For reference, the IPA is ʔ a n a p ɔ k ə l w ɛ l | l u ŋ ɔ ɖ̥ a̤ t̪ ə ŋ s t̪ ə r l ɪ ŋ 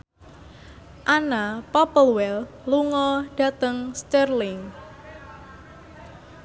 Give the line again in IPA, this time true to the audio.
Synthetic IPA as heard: ʔ a n a p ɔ p ə l w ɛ l | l u ŋ ɔ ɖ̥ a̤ t̪ ə ŋ s t̪ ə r l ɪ ŋ